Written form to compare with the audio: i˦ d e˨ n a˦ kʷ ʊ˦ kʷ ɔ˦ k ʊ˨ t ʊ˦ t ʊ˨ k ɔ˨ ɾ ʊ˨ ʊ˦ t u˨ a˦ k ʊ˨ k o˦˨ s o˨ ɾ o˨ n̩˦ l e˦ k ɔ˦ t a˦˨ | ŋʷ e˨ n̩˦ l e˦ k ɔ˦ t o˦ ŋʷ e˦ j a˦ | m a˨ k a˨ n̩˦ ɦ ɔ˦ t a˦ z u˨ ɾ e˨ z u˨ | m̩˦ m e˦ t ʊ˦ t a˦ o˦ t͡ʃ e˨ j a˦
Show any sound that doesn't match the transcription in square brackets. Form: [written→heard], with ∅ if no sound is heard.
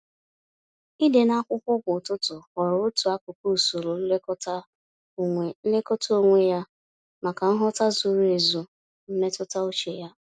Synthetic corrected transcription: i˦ d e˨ n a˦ kʷ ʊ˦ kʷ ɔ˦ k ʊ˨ t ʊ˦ t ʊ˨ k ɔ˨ ɾ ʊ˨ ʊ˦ t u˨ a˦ k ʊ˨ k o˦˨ s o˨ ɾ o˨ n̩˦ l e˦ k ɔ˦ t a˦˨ | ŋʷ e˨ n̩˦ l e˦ k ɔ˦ t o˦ ŋʷ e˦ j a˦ | m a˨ k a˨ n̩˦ ɦ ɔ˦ t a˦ z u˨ ɾ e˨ z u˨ | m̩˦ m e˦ t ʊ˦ t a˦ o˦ t͡ʃ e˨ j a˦

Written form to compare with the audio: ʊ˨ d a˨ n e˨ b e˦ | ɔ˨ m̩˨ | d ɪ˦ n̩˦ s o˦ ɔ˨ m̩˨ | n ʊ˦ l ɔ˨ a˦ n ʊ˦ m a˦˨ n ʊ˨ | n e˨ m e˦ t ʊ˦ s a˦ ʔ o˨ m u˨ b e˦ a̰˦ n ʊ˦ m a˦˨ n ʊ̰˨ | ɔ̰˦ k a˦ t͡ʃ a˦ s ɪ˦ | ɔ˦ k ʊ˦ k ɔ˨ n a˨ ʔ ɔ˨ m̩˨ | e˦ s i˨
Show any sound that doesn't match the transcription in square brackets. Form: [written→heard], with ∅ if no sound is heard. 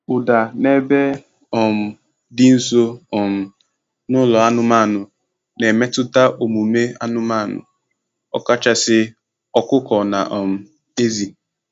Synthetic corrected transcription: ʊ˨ d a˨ n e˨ b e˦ | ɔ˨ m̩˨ | d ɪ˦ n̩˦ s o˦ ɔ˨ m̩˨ | n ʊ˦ l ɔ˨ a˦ n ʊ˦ m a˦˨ n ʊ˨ | n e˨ m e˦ t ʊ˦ [s→t] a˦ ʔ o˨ m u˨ [b→m] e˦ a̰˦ n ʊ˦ m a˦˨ n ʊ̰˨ | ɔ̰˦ k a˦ t͡ʃ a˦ s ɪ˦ | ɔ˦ k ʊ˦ k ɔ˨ n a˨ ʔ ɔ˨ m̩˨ | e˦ [s→z] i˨

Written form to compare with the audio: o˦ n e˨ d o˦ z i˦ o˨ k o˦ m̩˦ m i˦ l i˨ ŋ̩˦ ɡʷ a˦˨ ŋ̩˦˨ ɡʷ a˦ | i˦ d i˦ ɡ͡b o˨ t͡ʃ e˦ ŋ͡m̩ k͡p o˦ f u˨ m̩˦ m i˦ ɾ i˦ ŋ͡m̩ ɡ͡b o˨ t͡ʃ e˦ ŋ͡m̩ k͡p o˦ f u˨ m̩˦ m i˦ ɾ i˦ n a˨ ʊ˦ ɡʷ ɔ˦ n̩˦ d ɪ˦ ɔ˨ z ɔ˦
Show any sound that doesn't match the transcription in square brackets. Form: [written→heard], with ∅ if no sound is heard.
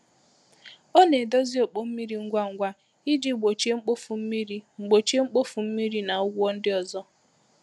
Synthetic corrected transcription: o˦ n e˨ d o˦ z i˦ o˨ [k→k͡p] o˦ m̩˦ m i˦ [l→ɾ] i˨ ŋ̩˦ ɡʷ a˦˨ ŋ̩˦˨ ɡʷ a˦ | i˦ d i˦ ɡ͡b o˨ t͡ʃ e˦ ŋ͡m̩ k͡p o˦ f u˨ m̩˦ m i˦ ɾ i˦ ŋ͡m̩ ɡ͡b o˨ t͡ʃ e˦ ŋ͡m̩ k͡p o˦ f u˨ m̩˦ m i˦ ɾ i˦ n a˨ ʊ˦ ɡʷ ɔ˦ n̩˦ d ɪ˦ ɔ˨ z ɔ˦

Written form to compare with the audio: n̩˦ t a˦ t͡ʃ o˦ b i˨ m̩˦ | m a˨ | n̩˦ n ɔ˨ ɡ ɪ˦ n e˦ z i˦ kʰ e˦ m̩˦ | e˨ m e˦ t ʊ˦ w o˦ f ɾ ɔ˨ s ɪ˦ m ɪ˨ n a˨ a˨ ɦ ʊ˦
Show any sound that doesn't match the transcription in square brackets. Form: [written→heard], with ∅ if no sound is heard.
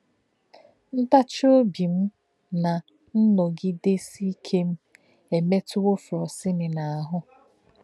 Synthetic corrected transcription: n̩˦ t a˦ t͡ʃ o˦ b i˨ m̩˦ | [m→n] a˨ | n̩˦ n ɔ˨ ɡ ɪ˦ [n→d] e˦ [z→s] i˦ kʰ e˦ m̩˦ | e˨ m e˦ t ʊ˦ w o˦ f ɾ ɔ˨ s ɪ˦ [m→n] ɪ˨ n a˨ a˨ ɦ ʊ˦

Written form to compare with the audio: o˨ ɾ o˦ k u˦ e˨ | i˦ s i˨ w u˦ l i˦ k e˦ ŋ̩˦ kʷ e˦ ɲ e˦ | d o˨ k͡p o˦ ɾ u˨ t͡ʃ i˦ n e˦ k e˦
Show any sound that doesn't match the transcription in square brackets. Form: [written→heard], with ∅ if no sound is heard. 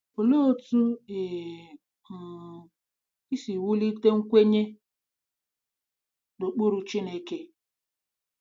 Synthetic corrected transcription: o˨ [ɾ→l] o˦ [k→t] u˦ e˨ | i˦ s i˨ w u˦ l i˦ [k→t] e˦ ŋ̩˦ kʷ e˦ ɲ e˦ | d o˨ k͡p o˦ ɾ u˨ t͡ʃ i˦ n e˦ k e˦

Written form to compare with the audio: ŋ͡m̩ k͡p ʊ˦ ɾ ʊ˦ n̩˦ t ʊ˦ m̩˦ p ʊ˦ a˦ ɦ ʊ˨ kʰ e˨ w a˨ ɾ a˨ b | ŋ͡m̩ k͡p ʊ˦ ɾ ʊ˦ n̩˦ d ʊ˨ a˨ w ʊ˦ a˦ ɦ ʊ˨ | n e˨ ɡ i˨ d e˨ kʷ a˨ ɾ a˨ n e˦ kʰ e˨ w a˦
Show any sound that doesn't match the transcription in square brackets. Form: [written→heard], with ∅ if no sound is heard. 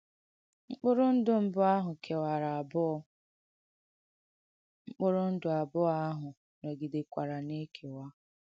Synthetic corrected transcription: ŋ͡m̩ k͡p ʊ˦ ɾ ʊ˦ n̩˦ [t→d] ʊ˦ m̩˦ [p→b] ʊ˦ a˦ ɦ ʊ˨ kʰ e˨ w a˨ ɾ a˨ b | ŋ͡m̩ k͡p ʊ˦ ɾ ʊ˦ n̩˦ d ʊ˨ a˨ [w→b] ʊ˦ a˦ ɦ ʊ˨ | n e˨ ɡ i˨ d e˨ kʷ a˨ ɾ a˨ n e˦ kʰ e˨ w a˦

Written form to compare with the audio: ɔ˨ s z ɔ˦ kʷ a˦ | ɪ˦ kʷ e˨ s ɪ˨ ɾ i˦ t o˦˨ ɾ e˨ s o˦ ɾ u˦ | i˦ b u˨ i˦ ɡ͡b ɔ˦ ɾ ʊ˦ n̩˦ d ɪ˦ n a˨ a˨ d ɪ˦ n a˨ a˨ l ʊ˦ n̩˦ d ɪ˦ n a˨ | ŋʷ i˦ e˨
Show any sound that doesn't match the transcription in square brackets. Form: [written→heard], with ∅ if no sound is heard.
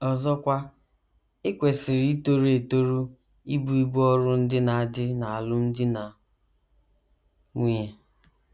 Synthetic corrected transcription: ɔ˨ [s→∅] z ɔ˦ kʷ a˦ | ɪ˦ kʷ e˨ s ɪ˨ ɾ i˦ t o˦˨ ɾ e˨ [s→t] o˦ ɾ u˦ | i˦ b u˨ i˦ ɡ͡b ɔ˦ ɾ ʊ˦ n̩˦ d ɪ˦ n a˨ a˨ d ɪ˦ n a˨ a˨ l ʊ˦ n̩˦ d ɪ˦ n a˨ | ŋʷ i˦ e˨

